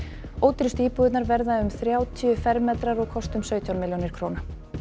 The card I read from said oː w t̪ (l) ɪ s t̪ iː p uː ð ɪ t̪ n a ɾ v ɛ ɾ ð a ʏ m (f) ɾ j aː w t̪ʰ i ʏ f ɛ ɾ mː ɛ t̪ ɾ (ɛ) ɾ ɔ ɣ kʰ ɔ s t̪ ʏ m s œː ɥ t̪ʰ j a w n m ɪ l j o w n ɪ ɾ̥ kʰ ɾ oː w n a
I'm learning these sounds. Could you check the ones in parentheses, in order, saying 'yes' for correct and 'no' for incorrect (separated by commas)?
no, no, no